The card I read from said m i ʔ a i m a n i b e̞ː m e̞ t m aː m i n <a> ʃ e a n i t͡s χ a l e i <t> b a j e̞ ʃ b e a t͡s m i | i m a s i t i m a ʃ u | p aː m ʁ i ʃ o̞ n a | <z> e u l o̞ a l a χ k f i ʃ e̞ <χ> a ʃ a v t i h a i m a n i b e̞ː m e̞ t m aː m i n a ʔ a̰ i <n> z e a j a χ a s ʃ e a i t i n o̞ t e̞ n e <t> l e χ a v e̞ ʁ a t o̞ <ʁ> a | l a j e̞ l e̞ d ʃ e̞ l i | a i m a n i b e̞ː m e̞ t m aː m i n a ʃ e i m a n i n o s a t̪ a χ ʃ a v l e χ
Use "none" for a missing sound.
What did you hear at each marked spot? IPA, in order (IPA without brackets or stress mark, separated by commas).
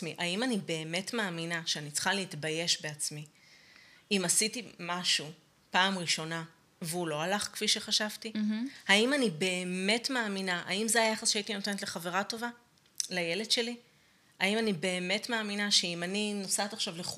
a, t, v, χ, m, t, v